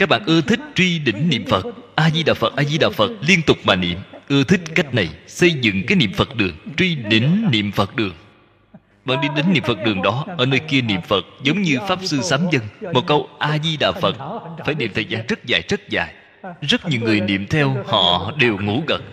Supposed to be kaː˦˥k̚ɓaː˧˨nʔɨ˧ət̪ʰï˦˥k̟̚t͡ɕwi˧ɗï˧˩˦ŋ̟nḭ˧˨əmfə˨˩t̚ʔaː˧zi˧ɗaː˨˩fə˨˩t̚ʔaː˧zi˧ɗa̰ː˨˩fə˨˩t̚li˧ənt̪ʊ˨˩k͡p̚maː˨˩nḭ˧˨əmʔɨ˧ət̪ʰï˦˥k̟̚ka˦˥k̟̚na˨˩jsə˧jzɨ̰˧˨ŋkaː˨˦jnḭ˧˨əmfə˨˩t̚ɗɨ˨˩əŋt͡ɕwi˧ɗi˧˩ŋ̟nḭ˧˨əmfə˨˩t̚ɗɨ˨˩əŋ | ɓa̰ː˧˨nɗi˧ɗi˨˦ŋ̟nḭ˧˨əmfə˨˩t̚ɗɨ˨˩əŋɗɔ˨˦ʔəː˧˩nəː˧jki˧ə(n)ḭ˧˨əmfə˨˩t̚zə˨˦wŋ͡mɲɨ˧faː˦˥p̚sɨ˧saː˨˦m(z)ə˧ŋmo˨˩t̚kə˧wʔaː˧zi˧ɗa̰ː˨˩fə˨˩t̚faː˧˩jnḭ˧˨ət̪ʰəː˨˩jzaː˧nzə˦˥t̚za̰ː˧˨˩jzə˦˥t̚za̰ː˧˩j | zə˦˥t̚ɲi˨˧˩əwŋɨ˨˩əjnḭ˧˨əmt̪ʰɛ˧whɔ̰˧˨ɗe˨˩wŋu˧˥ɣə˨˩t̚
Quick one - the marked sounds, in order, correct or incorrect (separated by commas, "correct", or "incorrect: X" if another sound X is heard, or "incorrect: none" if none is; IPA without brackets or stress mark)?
correct, correct